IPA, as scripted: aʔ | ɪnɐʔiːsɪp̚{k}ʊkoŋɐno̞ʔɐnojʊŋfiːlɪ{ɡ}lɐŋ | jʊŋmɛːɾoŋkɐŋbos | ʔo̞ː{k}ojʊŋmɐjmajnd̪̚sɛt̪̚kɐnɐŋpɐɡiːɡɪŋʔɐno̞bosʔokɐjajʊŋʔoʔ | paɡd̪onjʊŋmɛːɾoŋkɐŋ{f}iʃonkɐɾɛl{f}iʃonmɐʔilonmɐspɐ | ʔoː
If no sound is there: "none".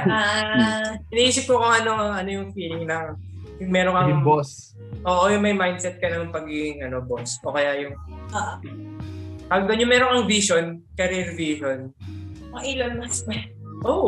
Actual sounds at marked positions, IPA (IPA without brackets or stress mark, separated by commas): k, ŋ, ʔ, v, v